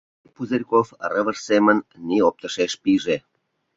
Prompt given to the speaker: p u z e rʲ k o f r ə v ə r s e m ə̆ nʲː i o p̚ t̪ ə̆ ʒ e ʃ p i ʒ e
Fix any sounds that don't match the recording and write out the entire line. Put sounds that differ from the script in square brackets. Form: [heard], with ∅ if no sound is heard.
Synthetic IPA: p u z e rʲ k o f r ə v ə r s e m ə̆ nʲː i o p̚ t̪ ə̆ [ʃ] e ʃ p i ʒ e